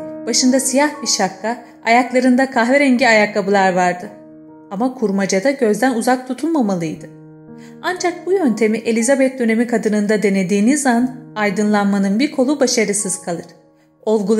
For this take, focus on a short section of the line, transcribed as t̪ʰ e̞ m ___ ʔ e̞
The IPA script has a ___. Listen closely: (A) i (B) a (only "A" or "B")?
A